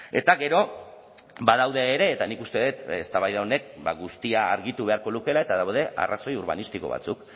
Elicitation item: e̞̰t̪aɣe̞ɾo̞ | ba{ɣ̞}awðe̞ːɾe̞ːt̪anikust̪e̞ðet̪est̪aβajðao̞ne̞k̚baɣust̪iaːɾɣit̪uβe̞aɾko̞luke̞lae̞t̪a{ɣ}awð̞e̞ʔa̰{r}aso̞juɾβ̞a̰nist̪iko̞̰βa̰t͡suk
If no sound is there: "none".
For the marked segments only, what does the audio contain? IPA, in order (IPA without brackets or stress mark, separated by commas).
ð̞, ð, r